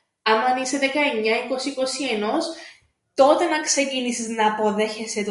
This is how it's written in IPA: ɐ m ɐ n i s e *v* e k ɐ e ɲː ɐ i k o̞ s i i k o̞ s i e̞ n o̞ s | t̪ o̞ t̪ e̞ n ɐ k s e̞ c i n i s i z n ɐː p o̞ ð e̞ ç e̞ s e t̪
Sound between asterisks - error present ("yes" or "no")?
yes